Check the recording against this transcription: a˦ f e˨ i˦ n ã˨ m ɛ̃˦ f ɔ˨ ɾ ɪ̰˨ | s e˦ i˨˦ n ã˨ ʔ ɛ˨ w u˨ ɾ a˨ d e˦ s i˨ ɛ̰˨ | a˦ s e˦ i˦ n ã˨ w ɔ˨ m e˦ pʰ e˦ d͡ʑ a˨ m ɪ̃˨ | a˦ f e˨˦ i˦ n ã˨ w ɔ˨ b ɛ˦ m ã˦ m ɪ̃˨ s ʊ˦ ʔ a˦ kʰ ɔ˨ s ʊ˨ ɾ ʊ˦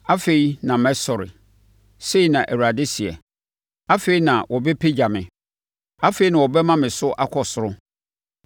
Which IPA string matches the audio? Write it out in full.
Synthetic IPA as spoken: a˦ f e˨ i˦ n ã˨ m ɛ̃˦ s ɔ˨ ɾ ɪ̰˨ | s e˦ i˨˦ n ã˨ ʔ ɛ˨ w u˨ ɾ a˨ d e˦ s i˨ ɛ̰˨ | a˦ f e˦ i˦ n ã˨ w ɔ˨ b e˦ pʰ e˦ d͡ʑ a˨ m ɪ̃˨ | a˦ f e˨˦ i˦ n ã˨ w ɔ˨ b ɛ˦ m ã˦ m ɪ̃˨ s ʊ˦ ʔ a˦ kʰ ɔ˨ s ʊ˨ ɾ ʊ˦

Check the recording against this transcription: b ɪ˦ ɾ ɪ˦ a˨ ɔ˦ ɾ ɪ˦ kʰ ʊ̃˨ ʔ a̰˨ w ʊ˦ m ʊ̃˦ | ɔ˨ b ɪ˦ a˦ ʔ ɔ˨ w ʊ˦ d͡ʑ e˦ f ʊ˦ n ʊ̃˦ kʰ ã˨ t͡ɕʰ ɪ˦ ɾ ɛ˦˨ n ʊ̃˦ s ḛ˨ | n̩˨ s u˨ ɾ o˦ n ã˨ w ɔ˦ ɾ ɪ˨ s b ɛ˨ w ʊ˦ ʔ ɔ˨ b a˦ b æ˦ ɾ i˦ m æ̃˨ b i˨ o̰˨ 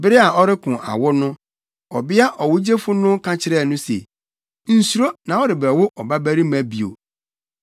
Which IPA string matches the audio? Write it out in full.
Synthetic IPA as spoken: b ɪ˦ ɾ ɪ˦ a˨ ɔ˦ ɾ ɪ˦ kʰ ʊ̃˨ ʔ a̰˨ w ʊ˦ n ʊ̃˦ | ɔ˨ b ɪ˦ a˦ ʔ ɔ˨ w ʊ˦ d͡ʑ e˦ f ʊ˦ n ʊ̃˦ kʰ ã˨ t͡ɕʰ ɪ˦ ɾ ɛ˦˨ n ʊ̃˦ s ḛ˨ | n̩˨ s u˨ ɾ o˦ n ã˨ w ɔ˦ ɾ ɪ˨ b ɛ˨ w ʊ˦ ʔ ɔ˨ b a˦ b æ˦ ɾ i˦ m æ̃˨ b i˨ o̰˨

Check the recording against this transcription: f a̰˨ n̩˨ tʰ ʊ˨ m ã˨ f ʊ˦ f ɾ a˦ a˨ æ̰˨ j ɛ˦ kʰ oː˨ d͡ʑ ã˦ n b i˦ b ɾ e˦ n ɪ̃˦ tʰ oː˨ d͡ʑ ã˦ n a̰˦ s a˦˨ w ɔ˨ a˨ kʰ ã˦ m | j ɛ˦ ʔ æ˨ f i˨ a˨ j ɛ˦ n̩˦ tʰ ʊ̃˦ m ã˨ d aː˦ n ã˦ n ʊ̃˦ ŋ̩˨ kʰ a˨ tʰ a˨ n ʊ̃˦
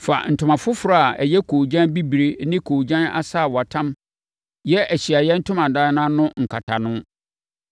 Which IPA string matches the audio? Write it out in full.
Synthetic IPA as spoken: f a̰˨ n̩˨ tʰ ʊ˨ m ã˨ f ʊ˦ f ɾ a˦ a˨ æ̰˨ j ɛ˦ kʰ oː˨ d͡ʑ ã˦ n b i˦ b ɾ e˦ n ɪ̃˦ kʰ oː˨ d͡ʑ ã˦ n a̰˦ s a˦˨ w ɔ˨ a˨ tʰ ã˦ m | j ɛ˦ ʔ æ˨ ɕ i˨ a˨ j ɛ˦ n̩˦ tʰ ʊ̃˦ m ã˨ d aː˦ n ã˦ n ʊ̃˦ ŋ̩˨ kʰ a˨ tʰ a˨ n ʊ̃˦

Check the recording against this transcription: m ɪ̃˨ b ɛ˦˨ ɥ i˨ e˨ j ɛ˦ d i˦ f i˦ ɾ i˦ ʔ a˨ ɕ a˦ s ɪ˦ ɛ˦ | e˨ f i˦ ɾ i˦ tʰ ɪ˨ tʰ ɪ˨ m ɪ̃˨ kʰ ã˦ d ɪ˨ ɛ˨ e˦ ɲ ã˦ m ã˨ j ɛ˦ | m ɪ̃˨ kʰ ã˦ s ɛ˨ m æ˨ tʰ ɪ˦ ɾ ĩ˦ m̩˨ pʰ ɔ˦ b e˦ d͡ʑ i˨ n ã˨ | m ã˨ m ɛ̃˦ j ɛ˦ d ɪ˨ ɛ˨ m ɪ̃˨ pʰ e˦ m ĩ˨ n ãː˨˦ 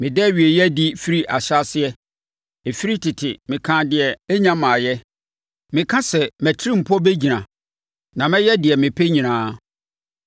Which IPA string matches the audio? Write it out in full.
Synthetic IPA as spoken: m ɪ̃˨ d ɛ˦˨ ɥ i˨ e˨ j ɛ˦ d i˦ f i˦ ɾ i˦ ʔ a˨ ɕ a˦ s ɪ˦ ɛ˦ | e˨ f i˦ ɾ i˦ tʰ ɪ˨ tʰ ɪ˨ m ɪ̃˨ kʰ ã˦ d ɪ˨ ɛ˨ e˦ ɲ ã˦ m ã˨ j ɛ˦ | m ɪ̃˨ kʰ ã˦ s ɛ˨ m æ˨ tʰ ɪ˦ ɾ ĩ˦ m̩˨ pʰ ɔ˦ b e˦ d͡ʑ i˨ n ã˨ | n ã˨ m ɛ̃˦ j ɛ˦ d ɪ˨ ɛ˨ m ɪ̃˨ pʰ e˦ ɲ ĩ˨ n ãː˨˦

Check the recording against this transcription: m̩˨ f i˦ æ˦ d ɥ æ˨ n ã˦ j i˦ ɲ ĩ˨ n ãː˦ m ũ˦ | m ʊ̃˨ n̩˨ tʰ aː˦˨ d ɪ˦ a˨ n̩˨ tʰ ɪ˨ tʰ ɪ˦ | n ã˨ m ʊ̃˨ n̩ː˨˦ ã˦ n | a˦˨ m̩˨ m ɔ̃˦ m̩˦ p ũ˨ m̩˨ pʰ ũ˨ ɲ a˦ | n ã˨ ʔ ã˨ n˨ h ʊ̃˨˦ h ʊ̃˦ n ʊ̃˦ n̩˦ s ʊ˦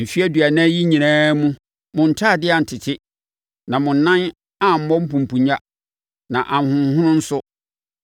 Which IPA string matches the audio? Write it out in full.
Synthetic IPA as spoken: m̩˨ f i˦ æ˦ d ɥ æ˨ n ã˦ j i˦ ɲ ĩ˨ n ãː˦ m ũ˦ | m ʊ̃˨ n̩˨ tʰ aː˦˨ d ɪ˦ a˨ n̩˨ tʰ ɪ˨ tʰ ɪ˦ | n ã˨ m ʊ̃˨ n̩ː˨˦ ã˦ n | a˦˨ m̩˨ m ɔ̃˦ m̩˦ p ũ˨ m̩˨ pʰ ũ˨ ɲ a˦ | n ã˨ ʔ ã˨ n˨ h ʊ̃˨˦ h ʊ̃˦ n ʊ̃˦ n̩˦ s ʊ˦

